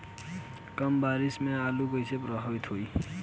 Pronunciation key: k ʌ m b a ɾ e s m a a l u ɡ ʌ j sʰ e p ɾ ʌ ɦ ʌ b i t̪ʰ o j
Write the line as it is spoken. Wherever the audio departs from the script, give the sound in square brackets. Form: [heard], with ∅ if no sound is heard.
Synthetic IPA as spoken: k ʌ m b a ɾ [i] s m [e] a l u ɡ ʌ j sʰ e p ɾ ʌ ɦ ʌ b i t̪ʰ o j